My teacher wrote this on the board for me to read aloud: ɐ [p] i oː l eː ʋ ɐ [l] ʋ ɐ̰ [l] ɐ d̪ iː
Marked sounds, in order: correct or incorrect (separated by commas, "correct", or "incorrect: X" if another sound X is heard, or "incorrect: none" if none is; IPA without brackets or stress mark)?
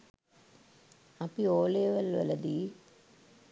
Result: correct, correct, correct